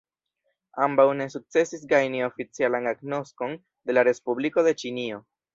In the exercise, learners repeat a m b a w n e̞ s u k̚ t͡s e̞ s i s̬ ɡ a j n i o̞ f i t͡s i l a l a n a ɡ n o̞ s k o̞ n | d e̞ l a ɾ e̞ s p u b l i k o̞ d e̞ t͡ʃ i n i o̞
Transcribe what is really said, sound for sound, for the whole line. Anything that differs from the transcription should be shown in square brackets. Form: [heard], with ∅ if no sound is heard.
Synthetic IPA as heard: a m b a w n e̞ s u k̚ t͡s e̞ s i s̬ ɡ a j n i o̞ f i t͡s i [∅] a l a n a ɡ n o̞ s k o̞ n | d e̞ l a ɾ e̞ s p u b l i k o̞ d e̞ t͡ʃ i n i o̞